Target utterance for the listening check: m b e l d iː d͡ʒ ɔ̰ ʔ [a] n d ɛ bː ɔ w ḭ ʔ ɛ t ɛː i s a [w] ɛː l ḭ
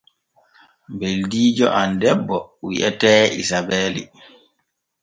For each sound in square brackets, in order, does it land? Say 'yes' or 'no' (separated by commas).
yes, no